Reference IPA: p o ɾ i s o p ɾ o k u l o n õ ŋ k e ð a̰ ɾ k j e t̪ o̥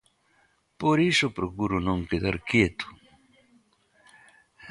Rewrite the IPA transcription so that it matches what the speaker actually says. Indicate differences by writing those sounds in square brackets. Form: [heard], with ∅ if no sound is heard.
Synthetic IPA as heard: p o ɾ i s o p ɾ o k u [ɾ] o n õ ŋ k e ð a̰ ɾ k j e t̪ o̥